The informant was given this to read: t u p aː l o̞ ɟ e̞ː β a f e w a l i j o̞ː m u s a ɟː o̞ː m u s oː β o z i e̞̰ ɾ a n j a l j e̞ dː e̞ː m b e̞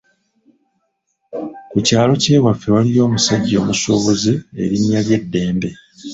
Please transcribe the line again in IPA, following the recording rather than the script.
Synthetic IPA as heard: k u c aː l o̞ c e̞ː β a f e w a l i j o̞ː m u s a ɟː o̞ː m u s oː β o z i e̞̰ ɾ i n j a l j e̞ dː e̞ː m b e̞